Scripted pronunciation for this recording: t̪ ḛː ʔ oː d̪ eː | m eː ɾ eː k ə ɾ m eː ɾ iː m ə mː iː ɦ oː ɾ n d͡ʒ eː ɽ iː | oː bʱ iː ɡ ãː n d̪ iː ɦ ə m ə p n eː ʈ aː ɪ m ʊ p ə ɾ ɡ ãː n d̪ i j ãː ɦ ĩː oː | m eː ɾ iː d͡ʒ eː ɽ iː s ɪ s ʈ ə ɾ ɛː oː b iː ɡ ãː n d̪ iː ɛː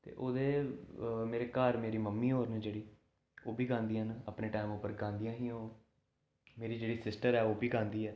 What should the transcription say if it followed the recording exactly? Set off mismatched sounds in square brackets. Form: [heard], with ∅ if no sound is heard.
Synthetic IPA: t̪ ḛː ʔ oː d̪ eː | m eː ɾ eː k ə ɾ m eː ɾ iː m ə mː iː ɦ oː ɾ n d͡ʒ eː ɽ iː | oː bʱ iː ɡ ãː n d̪ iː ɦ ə [n] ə p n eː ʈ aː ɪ m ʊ p ə ɾ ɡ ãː n d̪ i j ãː ɦ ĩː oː | m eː ɾ iː d͡ʒ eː ɽ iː s ɪ s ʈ ə ɾ ɛː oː b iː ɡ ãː n d̪ iː ɛː